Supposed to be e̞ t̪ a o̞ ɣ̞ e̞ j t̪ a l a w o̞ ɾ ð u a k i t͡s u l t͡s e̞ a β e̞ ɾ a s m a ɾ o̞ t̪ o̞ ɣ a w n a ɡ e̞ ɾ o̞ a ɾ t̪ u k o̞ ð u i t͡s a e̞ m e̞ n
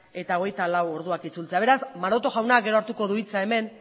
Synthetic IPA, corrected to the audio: e̞ t̪ a o̞ ɣ̞ e̞ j t̪ a l a w o̞ ɾ ð u a k i t͡s u l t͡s e̞ a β e̞ ɾ a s m a ɾ o̞ t̪ o̞ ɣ a w n a ɡ e̞ ɾ o̞ a ɾ t̪ u k o̞ ð u i t͡s a e̞ m e̞ n